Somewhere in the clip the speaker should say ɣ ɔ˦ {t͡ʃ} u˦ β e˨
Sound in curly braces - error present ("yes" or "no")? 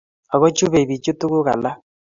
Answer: no